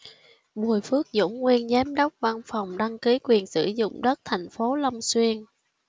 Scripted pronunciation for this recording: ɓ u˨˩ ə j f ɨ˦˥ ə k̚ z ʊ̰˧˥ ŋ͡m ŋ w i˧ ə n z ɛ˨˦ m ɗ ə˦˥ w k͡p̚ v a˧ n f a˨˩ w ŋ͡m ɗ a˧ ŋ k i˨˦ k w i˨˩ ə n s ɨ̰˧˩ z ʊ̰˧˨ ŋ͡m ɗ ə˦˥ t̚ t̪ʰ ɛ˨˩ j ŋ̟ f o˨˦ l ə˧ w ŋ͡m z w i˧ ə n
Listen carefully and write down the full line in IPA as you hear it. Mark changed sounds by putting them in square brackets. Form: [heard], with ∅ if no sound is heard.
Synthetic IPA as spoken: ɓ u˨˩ ə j f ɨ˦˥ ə k̚ z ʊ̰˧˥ ŋ͡m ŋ w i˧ ə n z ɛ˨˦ m ɗ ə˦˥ w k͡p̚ v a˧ n f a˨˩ w ŋ͡m ɗ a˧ ŋ k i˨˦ k w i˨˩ ə n s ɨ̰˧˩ z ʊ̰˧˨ ŋ͡m ɗ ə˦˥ t̚ t̪ʰ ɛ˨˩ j ŋ̟ f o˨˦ l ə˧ w ŋ͡m [s] w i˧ ə n

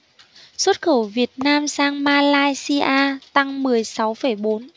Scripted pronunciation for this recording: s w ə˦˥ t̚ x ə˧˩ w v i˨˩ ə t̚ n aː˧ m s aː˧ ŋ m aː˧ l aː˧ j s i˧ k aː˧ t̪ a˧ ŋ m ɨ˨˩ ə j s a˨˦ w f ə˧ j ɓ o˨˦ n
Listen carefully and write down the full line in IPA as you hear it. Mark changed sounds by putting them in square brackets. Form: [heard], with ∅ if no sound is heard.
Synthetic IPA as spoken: s w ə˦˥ t̚ x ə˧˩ w v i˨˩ ə t̚ n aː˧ m s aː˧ ŋ m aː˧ l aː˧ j s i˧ [ʔ] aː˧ t̪ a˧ ŋ m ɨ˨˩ ə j s a˨˦ w f [ə˧˩] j ɓ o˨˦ n

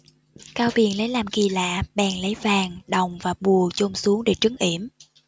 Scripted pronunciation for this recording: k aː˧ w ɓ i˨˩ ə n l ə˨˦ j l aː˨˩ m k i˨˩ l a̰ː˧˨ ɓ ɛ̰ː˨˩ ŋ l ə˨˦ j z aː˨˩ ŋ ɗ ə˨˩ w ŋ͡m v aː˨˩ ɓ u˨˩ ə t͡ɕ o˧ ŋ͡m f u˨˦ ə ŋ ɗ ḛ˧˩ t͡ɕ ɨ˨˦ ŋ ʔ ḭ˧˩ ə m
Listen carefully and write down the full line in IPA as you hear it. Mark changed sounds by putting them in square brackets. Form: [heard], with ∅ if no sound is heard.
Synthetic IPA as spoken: k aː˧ w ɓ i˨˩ ə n l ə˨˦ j l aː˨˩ m k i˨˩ l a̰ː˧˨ ɓ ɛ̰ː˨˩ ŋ l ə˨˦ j [v] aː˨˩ ŋ ɗ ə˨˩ w ŋ͡m v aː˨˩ ɓ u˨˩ ə t͡ɕ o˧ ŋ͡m [s] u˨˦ ə ŋ ɗ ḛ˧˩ t͡ɕ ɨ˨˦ ŋ ʔ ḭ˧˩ ə m

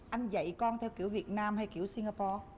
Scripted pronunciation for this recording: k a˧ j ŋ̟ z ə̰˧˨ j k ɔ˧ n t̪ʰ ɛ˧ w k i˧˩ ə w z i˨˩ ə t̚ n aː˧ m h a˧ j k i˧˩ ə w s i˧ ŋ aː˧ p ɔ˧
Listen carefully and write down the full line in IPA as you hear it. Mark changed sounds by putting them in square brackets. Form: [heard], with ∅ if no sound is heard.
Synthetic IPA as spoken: [ʔ] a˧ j ŋ̟ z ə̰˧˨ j k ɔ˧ n t̪ʰ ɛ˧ w k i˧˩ ə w [v] i˨˩ ə t̚ n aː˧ m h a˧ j k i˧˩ ə w s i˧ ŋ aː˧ p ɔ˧

